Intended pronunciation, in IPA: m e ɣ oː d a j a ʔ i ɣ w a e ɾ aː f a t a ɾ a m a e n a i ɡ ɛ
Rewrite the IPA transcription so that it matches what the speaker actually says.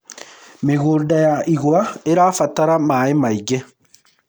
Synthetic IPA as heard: m e ɣ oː d a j a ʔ i ɣ w a e ɾ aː f a t a ɾ a m a e m a i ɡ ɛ